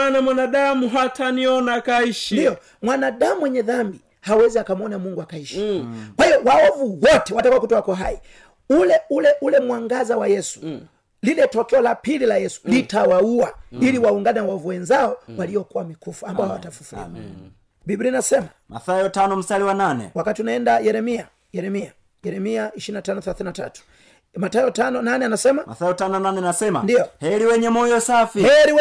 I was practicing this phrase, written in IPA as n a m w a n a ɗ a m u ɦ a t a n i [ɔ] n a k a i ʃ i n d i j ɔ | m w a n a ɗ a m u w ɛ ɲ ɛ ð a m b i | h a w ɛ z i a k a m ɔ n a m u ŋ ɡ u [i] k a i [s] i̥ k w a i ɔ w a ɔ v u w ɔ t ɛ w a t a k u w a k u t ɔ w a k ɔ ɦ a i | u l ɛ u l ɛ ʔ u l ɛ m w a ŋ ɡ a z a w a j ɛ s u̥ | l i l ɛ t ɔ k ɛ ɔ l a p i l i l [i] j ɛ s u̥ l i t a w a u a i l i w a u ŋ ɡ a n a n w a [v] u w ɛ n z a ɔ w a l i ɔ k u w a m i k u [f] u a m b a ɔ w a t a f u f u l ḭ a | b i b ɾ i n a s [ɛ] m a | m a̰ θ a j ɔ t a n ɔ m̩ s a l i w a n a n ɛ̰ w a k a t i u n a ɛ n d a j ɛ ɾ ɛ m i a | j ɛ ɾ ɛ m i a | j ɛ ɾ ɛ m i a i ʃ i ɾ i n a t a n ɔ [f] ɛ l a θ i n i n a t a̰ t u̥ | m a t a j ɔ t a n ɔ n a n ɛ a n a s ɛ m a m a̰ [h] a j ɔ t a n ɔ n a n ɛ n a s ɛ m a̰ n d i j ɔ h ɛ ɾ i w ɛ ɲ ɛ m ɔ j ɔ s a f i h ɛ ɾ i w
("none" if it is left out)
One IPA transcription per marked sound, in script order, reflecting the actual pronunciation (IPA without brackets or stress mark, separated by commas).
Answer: ɔ, a, ʃ, a, v, f, ɛ, θ, θ